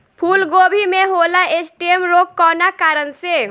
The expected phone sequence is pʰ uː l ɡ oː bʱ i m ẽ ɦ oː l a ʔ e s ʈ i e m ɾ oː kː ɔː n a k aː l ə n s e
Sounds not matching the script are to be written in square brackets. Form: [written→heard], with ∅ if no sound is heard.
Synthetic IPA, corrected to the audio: pʰ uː l ɡ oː bʱ i m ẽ ɦ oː l a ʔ e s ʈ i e m ɾ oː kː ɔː n a k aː [l→ɾ] ə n s e